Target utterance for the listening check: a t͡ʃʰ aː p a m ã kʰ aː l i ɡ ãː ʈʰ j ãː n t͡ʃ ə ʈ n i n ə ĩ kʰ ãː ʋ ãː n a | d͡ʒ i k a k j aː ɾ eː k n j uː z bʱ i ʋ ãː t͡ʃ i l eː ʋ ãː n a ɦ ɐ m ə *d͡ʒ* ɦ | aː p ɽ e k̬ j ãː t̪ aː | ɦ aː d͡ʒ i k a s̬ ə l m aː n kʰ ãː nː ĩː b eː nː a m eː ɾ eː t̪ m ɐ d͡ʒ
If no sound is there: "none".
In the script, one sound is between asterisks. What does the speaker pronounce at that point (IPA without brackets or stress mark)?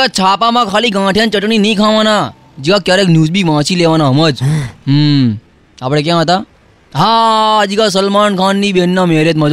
d͡ʒ